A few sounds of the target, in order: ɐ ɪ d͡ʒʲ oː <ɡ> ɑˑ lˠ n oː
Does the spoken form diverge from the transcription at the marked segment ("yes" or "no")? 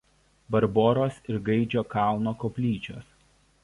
yes